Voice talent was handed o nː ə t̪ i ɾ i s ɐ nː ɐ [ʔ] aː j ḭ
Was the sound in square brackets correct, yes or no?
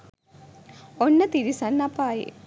no